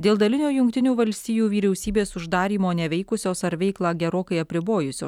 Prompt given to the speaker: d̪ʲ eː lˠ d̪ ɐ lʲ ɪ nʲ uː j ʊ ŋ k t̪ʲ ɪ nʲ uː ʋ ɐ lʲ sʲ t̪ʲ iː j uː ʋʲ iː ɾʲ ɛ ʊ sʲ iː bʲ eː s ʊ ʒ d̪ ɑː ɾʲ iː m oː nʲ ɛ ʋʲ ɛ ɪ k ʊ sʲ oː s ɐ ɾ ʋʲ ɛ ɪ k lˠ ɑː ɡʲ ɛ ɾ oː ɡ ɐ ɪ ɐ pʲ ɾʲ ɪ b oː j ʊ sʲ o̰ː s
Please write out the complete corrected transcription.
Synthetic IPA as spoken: d̪ʲ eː lˠ d̪ ɐ lʲ ɪ nʲ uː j ʊ ŋ k t̪ʲ ɪ nʲ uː ʋ ɐ lʲ sʲ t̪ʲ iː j uː ʋʲ iː ɾʲ ɛ ʊ sʲ iː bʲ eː s ʊ ʒ d̪ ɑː ɾʲ iː m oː nʲ ɛ ʋʲ ɛ ɪ k ʊ sʲ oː s ɐ ɾ ʋʲ ɛ ɪ k lˠ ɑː ɡʲ ɛ ɾ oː k ɐ ɪ ɐ pʲ ɾʲ ɪ b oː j ʊ sʲ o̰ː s